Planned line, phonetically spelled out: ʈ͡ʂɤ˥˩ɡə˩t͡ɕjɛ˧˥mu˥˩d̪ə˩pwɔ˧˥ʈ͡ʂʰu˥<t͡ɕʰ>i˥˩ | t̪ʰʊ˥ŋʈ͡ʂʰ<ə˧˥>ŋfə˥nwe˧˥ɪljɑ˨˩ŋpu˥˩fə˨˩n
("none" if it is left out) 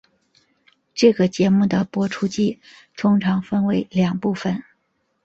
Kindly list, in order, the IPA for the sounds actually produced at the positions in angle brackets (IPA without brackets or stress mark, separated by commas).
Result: t͡ɕ, ɑ˧˥